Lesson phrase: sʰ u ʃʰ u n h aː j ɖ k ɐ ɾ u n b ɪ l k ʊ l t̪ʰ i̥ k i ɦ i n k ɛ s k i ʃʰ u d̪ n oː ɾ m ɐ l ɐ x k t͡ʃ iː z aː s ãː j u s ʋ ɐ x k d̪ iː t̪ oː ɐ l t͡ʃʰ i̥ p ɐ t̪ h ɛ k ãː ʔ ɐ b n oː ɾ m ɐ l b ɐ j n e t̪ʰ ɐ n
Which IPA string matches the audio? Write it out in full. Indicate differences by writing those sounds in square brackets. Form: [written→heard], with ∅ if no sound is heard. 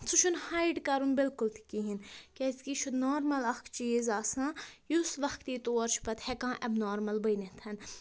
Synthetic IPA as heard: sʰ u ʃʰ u n h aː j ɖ k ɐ ɾ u n b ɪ l k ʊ l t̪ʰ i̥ k i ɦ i n k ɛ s k i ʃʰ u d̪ n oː ɾ m ɐ l ɐ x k t͡ʃ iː z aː s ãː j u s ʋ ɐ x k [d̪→t̪] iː t̪ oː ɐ [l→ɾ] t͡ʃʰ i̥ p ɐ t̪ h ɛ k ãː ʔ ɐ b n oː ɾ m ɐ l b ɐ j n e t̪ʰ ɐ n